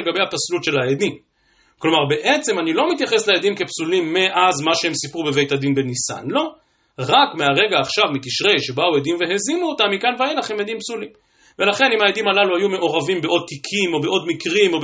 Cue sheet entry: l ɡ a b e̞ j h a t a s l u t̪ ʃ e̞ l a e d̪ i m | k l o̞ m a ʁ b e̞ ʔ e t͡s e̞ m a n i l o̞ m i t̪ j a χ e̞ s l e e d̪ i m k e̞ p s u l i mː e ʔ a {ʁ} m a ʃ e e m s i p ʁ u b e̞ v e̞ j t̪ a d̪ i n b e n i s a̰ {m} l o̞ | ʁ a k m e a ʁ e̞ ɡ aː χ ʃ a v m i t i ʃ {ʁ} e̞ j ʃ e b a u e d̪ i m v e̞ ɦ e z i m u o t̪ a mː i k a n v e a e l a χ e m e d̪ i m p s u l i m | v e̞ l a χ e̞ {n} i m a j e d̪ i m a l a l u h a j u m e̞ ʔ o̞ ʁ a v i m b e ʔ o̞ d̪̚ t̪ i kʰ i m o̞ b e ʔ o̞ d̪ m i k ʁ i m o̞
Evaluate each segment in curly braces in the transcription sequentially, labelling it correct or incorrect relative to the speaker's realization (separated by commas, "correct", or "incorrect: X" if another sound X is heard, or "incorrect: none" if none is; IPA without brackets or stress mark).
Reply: incorrect: z, incorrect: n, correct, correct